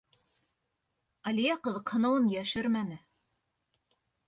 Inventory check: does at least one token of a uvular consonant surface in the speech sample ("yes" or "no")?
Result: yes